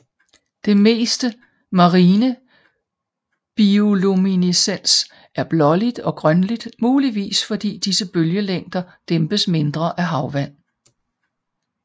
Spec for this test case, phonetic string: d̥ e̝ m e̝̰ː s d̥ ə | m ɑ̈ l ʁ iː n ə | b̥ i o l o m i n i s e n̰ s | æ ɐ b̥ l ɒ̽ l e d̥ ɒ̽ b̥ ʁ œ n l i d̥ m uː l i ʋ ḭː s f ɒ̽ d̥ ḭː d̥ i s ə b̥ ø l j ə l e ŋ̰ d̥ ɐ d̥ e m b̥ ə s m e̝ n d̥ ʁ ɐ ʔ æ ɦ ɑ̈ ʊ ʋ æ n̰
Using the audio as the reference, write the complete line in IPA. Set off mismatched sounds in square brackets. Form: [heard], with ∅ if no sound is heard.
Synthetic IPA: d̥ e̝ m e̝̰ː s d̥ ə | m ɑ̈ [∅] ʁ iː n ə | b̥ i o l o m i n i s e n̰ s | æ ɐ b̥ l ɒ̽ l [i] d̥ ɒ̽ [ɡ̥] ʁ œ n l i d̥ m uː l i ʋ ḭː s f ɒ̽ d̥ ḭː d̥ i s ə b̥ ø l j ə l e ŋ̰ d̥ ɐ d̥ e m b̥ ə s m e̝ n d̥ ʁ ɐ ʔ æ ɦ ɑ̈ ʊ ʋ æ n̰